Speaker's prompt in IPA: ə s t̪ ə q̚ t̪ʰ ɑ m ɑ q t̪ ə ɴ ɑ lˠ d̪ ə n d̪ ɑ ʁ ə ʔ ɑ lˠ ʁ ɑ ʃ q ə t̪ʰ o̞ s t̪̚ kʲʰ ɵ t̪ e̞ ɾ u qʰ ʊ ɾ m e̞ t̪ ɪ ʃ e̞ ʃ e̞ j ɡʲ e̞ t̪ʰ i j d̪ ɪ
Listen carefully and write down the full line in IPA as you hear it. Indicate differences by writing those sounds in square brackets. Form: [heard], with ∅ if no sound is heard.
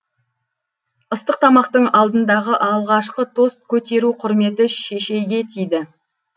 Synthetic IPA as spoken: ə s t̪ ə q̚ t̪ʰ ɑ m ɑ q t̪ ə ɴ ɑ lˠ d̪ ə n d̪ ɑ ʁ ə ʔ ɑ lˠ ʁ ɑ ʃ q ə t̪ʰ o̞ s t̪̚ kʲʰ ɵ t̪ e̞ ɾ u qʰ ʊ ɾ m e̞ t̪ ɪ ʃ e̞ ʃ e̞ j ɡʲ e̞ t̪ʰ i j d̪ ɪ